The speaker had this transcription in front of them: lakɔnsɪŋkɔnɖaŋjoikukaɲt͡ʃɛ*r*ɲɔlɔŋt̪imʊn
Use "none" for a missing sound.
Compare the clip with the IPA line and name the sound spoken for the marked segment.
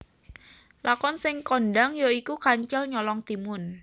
l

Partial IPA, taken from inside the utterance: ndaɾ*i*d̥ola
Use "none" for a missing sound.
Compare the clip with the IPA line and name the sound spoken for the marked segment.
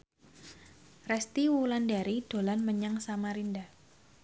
i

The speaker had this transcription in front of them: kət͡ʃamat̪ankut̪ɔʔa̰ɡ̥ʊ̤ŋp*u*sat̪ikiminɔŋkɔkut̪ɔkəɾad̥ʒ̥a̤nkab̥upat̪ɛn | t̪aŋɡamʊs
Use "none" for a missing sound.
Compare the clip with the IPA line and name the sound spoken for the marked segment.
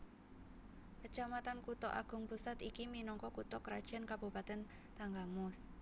u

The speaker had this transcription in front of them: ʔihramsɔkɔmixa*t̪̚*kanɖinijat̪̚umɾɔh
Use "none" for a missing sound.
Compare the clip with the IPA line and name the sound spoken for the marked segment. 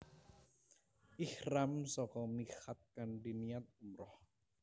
t̪̚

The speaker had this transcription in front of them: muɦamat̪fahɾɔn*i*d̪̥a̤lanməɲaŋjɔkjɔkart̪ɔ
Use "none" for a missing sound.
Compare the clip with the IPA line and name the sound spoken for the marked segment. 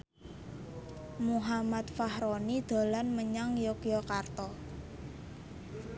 i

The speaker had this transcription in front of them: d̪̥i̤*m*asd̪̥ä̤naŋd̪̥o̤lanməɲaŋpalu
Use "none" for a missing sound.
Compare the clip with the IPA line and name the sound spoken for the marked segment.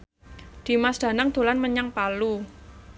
m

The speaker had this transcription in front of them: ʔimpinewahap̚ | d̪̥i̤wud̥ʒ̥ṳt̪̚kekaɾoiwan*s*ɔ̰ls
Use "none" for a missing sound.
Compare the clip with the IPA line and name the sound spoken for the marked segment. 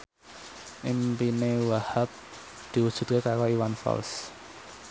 f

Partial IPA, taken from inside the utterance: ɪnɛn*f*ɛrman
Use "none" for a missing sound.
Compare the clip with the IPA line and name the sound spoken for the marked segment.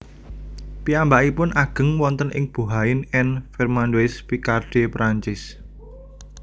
f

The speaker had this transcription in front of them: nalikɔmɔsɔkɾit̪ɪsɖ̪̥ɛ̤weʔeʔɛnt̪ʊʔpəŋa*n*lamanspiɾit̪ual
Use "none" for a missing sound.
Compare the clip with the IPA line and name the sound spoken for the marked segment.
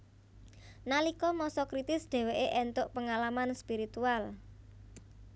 none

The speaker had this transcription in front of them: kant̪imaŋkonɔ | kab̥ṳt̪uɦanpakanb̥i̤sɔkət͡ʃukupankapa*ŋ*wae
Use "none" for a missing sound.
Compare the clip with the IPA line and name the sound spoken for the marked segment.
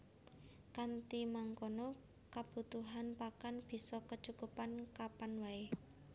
n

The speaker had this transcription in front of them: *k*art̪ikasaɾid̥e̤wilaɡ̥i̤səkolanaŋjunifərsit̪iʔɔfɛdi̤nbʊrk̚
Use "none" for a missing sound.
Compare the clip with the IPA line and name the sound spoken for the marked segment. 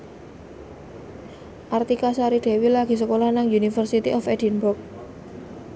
ʔ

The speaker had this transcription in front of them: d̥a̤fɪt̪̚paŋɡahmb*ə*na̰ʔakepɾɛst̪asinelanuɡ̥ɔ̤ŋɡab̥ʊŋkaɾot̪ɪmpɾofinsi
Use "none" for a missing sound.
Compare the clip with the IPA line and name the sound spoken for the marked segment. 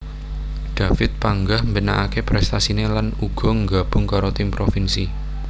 ə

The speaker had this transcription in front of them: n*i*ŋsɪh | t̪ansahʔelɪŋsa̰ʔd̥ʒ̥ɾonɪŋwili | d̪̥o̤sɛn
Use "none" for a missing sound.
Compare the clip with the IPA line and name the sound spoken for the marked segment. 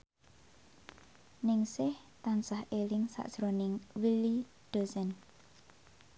ɪ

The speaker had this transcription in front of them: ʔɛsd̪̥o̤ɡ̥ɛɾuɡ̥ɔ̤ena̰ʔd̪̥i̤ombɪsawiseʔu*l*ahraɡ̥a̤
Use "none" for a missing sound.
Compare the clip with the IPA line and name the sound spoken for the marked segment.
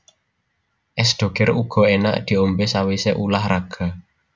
l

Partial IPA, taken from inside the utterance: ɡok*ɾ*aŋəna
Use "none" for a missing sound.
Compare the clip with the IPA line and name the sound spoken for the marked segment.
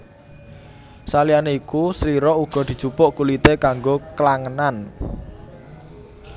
l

